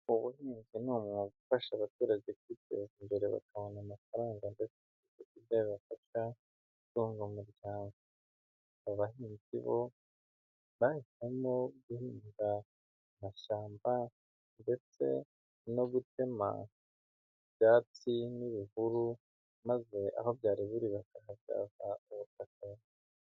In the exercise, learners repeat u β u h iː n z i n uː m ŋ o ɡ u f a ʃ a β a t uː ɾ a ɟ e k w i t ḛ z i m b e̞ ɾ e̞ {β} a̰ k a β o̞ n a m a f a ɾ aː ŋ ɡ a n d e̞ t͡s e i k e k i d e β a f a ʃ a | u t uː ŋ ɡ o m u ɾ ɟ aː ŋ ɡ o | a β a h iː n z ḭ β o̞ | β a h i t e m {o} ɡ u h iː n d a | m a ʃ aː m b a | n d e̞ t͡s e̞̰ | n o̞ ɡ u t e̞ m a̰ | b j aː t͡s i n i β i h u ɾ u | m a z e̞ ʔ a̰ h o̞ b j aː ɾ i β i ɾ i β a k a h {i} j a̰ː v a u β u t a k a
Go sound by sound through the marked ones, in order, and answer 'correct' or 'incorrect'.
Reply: correct, correct, incorrect: a

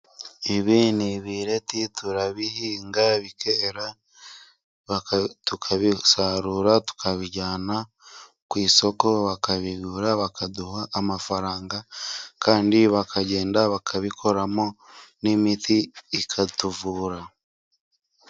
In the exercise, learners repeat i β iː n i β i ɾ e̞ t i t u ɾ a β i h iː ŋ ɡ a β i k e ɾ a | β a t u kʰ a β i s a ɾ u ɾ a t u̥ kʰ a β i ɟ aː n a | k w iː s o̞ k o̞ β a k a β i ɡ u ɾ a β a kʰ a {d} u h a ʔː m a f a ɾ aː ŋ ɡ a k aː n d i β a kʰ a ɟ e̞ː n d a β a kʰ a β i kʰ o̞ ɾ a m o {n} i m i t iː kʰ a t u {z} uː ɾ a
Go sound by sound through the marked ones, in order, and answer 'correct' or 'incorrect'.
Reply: correct, correct, incorrect: v

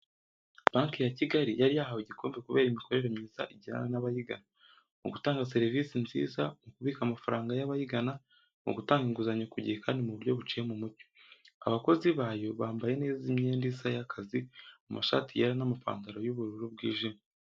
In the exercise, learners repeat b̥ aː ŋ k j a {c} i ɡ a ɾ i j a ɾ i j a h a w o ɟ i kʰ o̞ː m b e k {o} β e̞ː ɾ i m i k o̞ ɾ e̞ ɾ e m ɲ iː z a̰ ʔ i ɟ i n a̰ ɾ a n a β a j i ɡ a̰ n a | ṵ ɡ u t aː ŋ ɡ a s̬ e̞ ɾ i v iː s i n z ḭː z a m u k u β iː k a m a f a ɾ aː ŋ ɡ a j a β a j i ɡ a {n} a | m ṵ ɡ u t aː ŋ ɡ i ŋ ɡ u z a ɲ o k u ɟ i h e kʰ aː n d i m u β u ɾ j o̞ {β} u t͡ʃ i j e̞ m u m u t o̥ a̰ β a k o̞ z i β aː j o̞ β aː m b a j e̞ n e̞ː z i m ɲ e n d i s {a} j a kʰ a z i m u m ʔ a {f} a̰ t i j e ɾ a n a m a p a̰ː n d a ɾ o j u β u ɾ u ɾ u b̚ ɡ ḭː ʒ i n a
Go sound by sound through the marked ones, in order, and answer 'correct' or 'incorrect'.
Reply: correct, incorrect: u, correct, correct, correct, incorrect: ʃ

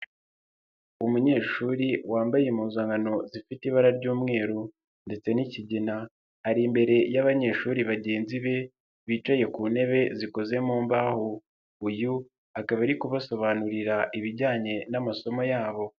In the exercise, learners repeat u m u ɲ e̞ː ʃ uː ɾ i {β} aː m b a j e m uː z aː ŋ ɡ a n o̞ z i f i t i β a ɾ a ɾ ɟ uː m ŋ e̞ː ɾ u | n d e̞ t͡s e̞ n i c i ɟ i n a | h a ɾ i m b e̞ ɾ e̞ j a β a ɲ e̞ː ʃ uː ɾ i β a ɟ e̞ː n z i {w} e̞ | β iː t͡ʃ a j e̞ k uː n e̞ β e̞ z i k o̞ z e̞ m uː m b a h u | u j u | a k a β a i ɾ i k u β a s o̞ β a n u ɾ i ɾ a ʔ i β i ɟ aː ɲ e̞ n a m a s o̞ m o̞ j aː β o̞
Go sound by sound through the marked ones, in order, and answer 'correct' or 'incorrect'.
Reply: incorrect: w, incorrect: β

